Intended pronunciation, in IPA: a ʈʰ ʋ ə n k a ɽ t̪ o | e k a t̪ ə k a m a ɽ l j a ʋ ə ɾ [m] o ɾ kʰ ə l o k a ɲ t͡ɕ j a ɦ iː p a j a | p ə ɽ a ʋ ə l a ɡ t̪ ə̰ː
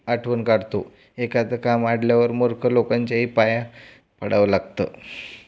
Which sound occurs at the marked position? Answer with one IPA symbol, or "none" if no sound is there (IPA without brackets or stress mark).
m